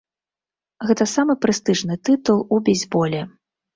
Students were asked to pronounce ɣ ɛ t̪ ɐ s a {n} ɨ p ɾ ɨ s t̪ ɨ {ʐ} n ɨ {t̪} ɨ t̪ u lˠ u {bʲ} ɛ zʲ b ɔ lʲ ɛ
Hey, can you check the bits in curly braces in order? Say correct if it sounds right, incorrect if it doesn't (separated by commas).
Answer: incorrect, correct, correct, correct